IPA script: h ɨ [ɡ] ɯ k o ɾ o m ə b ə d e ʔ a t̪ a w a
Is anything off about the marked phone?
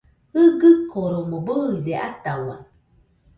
no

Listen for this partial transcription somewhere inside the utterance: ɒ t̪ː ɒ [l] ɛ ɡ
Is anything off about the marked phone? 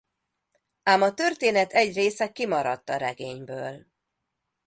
yes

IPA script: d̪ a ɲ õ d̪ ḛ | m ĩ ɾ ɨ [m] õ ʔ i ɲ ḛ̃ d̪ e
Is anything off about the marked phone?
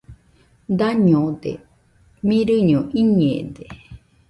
yes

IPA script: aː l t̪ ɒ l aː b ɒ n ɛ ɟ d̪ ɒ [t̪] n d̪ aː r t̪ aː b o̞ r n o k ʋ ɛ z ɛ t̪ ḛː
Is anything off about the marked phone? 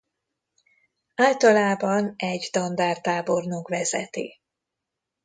yes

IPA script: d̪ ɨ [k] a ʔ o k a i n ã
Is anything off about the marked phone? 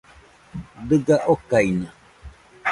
yes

